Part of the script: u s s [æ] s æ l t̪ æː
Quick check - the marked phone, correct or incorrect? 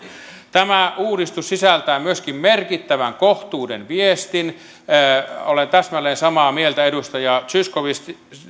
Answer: incorrect